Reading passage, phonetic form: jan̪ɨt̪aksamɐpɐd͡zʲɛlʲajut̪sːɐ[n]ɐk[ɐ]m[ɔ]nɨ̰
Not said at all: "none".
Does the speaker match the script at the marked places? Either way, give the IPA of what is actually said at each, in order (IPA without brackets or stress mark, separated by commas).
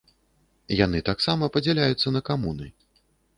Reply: n, a, u